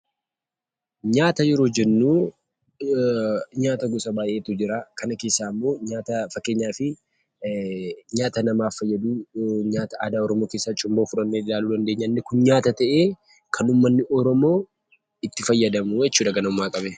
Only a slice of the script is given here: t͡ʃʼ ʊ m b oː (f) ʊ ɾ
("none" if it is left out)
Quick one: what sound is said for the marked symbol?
f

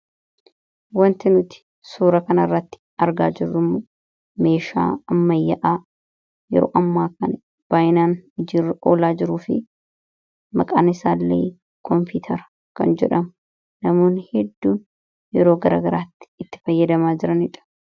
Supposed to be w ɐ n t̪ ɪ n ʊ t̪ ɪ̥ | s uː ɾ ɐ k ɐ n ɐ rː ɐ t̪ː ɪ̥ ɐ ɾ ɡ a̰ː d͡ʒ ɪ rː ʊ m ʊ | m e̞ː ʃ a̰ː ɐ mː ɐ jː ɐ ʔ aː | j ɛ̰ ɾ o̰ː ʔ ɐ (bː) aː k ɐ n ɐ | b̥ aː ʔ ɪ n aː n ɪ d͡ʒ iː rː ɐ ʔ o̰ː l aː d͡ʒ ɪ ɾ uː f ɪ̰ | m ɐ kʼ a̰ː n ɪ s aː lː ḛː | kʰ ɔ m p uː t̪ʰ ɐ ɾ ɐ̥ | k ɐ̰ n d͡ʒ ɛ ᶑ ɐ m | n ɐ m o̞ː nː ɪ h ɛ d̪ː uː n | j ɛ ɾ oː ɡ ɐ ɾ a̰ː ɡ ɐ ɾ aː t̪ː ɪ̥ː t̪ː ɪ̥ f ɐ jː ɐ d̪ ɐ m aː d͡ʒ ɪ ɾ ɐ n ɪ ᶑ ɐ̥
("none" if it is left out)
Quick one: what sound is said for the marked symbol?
mː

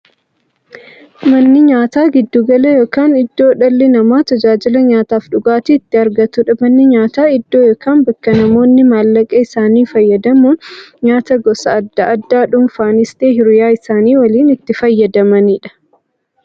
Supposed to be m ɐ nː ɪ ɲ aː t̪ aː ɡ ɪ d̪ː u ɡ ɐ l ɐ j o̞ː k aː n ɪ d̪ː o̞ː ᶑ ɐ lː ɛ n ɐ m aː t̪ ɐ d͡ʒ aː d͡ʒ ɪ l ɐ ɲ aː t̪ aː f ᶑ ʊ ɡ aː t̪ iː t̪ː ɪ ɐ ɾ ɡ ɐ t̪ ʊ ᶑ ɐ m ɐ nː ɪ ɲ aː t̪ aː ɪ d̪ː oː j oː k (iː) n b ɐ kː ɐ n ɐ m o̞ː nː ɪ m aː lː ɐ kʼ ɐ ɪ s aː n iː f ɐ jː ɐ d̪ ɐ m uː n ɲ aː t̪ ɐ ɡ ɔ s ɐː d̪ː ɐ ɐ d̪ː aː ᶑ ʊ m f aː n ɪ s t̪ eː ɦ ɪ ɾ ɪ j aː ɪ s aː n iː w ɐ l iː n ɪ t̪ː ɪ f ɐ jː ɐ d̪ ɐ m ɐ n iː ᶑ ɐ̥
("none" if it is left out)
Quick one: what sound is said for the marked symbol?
aː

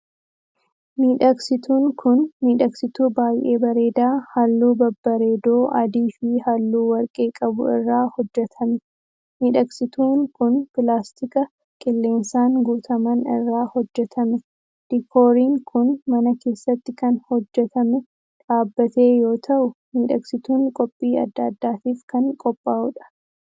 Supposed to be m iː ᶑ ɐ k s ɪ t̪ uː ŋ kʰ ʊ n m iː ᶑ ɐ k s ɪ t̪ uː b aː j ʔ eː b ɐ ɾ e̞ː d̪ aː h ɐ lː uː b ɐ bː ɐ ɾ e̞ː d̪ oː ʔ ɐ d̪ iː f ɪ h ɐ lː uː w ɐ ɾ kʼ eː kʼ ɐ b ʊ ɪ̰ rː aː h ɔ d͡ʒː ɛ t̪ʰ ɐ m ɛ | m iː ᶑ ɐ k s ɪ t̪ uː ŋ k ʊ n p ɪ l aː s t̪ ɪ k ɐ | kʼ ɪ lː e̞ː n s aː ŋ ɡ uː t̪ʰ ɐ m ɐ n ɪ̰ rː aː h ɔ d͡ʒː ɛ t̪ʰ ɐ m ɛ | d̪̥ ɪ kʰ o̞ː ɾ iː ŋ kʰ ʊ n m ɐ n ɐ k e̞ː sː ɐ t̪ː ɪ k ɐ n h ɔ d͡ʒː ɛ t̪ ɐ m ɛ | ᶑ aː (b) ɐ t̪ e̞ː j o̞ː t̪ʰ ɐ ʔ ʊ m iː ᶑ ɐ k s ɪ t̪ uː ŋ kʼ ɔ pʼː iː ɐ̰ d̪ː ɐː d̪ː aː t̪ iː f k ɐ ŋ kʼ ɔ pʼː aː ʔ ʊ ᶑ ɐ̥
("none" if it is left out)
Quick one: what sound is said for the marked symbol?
bː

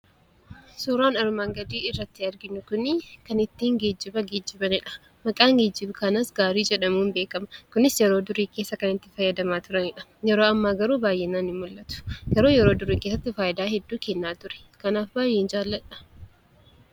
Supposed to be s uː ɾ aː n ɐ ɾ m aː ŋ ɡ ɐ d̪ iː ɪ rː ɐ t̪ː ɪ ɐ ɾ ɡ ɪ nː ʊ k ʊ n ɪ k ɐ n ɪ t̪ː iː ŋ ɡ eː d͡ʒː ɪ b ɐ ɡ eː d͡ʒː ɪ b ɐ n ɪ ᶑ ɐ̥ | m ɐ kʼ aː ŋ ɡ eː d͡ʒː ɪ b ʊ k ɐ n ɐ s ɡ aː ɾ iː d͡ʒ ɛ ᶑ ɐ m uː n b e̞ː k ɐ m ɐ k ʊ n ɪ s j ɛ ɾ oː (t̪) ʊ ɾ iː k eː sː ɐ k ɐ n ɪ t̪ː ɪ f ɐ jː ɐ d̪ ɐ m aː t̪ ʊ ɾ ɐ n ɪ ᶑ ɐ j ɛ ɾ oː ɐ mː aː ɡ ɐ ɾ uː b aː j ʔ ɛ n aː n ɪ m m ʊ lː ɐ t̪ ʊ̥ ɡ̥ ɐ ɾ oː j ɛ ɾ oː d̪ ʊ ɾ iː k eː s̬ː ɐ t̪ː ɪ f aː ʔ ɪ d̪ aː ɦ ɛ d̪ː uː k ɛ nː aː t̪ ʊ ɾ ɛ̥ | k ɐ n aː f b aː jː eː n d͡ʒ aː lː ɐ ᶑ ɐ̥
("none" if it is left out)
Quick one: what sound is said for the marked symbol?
d̪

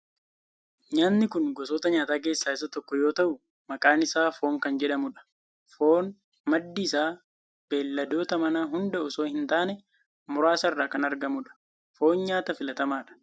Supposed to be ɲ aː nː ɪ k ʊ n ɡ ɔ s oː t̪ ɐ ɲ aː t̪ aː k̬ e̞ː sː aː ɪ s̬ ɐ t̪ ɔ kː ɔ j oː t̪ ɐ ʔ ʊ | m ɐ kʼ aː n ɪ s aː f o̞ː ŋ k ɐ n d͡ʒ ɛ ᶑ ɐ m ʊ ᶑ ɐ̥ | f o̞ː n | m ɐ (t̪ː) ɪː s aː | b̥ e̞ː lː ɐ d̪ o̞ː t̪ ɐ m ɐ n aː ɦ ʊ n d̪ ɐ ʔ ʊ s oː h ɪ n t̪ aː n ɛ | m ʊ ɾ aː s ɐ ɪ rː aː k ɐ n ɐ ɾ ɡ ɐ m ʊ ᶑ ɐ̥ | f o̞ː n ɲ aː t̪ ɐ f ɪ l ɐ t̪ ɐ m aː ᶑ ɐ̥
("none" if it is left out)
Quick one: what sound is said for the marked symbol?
d̪ː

